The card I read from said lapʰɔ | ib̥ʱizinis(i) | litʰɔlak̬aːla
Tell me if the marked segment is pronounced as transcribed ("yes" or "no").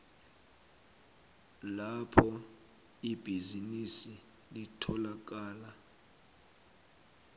yes